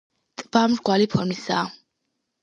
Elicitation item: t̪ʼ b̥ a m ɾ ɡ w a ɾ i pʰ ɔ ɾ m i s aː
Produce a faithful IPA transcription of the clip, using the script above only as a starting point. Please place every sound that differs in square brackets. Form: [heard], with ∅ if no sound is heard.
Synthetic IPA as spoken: t̪ʼ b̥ a m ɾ ɡ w a [l] i pʰ ɔ ɾ m i s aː